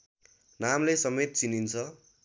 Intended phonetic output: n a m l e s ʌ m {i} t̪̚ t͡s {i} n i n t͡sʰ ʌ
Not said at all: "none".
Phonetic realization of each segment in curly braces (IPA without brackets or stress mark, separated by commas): e, i